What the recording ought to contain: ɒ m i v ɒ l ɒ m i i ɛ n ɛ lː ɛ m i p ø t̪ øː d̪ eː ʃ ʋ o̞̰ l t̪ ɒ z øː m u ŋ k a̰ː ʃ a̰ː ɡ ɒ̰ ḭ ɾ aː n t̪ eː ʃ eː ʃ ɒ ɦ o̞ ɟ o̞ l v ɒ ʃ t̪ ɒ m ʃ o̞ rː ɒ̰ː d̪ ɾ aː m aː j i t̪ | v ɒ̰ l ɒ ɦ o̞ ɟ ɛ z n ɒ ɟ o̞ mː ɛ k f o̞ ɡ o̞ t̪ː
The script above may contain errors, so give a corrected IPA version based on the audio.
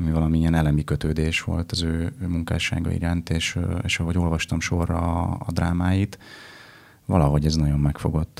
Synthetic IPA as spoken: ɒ m i v ɒ l ɒ m i i ɛ n ɛ l ɛ m i k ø t̪ øː d̪ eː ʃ ʋ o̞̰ l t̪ ɒ z øː m u ŋ k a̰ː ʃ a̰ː ɡ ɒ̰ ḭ ɾ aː n t̪ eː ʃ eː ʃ ɒ ɦ o̞ ɟ o̞ l v ɒ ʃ t̪ ɒ m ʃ o̞ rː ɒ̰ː d̪ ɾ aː m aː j i t̪ | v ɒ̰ l ɒ ɦ o̞ ɟ ɛ z n ɒ ɟ o̞ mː ɛ k f o̞ ɡ o̞ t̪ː